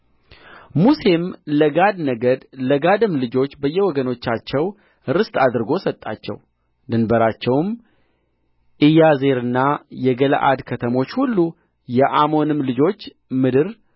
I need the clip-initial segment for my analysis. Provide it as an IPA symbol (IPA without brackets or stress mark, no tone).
m